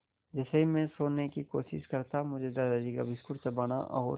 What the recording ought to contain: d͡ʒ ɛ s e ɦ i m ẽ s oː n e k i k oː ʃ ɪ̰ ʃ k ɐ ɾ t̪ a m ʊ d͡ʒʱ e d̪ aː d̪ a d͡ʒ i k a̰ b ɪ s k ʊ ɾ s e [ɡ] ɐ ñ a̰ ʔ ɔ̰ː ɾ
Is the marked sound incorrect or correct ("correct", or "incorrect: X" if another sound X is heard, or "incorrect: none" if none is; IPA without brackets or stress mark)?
incorrect: b